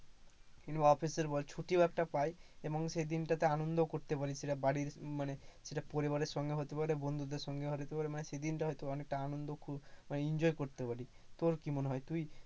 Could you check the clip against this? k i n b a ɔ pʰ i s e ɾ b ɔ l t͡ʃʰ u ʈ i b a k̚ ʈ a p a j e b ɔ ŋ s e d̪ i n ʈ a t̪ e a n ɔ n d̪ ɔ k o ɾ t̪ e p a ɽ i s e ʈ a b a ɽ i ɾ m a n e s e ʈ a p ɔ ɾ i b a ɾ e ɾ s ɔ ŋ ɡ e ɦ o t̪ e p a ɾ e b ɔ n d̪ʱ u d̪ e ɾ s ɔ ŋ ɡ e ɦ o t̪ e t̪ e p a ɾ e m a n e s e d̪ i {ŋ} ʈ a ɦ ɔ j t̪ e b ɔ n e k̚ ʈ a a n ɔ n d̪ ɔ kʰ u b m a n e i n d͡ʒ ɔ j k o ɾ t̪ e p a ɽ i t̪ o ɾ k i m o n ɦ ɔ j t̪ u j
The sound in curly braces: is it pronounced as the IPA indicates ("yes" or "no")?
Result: no